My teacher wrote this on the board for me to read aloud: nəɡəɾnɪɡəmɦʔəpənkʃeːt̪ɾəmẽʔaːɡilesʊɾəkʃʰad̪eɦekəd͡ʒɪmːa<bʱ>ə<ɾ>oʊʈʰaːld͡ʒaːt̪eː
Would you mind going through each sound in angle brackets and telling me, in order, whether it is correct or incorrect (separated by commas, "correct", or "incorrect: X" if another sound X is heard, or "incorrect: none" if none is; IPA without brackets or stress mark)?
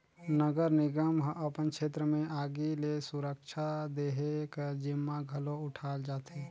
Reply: incorrect: ɡʱ, incorrect: l